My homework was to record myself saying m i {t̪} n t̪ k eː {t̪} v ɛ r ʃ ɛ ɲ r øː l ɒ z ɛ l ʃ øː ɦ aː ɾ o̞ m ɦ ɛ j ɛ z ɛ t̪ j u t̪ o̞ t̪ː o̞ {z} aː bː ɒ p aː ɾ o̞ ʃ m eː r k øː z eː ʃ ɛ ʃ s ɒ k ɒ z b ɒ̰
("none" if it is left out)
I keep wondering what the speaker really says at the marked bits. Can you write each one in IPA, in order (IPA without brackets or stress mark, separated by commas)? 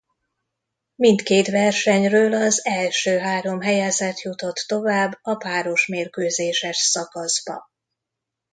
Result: none, t̪, v